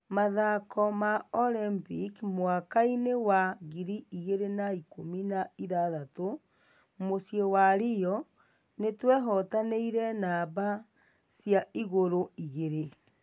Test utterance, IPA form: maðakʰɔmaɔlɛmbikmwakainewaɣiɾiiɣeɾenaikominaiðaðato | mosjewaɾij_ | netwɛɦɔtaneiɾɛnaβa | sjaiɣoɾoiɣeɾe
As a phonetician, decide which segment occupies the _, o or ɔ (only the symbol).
ɔ